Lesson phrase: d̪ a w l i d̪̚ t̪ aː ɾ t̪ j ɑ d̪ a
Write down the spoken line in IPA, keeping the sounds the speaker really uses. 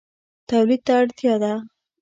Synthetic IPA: t̪ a w l i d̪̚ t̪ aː ɽ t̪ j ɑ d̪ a